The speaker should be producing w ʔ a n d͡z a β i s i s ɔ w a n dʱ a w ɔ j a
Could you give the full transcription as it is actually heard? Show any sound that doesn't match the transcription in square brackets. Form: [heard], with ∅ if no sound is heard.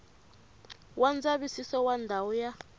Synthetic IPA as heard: w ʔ a n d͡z a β i s i s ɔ w a n dʱ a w ɔ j a